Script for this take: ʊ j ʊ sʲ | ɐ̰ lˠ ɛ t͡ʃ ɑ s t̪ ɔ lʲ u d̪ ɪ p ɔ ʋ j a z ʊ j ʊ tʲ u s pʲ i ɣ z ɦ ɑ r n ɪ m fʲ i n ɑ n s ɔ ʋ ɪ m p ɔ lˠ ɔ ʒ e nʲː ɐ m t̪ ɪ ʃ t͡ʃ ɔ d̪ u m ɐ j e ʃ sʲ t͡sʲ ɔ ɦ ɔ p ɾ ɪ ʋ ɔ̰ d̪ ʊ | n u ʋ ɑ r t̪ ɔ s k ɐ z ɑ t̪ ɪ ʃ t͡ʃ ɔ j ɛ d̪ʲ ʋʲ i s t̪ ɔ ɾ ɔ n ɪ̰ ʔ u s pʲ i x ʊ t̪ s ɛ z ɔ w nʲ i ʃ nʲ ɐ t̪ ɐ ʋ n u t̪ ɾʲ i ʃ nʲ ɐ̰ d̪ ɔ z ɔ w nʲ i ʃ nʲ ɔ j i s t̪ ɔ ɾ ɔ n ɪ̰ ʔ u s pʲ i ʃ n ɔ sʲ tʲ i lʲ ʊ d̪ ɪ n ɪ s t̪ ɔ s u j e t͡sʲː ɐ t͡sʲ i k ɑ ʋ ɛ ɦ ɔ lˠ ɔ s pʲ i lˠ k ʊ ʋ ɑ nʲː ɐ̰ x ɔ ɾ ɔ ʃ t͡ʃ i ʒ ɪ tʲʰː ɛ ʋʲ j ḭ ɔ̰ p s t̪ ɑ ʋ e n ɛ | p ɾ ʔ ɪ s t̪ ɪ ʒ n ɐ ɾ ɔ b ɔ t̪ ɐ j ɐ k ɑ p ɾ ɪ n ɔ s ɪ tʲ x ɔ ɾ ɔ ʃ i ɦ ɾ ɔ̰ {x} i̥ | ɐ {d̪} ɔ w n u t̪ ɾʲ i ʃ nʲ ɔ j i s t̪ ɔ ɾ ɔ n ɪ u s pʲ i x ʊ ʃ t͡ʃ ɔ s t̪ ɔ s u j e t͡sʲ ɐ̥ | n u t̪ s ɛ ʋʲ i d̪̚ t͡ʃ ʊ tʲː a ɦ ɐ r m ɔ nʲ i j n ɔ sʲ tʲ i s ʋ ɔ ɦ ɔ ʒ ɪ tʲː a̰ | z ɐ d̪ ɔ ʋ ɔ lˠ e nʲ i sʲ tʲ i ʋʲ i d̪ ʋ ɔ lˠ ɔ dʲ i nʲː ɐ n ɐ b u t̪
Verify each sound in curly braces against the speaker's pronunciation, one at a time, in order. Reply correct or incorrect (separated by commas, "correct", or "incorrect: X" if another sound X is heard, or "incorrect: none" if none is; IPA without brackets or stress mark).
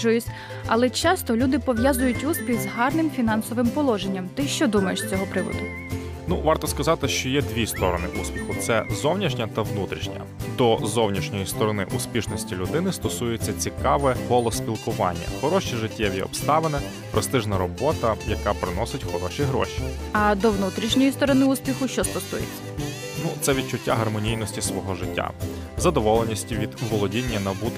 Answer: incorrect: ʃ, correct